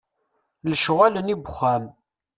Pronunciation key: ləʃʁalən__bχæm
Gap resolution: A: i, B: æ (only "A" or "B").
A